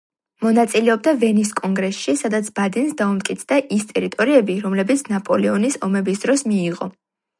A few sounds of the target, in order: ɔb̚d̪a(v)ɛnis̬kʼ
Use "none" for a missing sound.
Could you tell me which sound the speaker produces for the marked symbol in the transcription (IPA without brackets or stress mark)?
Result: v